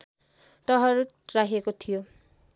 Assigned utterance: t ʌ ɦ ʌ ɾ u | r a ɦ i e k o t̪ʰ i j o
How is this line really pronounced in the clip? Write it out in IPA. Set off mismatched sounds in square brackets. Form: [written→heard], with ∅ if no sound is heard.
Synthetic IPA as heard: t ʌ ɦ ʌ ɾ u | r a ɦ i e k o t̪ʰ i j o